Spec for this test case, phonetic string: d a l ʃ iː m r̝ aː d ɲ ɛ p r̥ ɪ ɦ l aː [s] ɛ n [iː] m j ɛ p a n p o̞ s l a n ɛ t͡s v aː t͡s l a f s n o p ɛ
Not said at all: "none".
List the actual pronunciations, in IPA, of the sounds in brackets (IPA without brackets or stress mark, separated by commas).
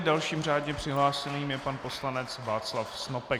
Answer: s, iː